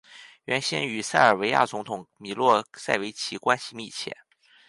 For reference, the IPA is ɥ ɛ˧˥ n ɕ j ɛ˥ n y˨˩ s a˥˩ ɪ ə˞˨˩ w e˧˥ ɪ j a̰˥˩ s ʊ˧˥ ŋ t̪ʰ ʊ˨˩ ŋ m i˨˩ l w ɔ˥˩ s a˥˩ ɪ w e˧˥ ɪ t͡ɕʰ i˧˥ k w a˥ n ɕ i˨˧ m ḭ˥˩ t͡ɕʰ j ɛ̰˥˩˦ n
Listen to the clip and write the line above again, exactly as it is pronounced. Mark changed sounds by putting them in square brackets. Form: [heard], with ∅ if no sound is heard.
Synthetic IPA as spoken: ɥ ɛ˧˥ n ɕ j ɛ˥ n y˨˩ s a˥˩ ɪ ə˞˨˩ w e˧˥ ɪ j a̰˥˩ [t͡s] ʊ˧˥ ŋ t̪ʰ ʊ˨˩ ŋ m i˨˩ l w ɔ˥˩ s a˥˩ ɪ w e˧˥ ɪ t͡ɕʰ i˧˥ k w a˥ n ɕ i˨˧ m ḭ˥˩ t͡ɕʰ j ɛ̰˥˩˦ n